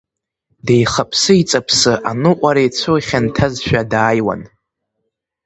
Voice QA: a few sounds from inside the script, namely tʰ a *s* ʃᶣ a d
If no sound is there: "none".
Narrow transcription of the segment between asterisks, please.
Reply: z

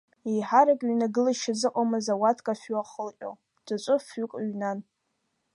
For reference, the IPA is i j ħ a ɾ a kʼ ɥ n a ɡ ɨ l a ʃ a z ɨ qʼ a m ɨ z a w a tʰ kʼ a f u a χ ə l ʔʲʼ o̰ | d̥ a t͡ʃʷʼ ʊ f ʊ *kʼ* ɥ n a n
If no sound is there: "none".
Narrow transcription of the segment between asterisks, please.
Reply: kʼ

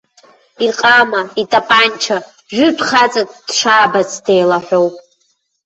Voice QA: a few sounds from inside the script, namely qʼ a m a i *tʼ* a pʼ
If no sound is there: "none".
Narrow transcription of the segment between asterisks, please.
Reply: tʼ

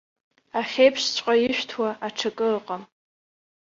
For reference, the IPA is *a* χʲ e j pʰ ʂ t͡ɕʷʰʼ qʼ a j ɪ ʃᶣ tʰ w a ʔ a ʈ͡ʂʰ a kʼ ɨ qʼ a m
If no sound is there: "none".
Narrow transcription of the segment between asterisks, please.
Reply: a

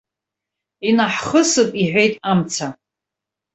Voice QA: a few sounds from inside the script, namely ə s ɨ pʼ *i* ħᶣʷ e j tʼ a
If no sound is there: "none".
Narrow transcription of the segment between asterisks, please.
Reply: i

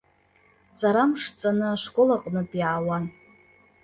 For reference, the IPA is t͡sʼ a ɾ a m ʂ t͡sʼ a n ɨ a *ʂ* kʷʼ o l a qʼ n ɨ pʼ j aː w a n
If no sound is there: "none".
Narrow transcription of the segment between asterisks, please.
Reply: ʂ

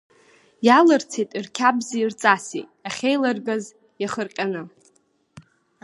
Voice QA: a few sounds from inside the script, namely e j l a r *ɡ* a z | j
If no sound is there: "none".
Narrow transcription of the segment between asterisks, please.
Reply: ɡ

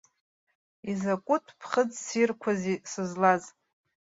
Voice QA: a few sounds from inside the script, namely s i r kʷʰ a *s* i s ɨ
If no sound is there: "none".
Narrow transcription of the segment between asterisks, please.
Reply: z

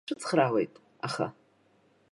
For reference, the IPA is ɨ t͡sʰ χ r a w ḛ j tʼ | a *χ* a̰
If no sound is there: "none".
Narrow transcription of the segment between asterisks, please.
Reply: χ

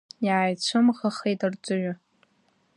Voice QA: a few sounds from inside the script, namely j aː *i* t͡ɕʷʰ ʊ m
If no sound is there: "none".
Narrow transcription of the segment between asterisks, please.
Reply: j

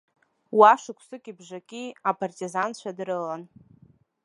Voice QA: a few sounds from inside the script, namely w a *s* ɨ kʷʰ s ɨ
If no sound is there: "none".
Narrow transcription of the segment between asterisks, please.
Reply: ʂ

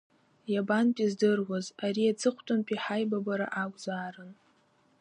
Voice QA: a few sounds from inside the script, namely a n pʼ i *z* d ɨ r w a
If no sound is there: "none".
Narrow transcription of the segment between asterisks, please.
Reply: z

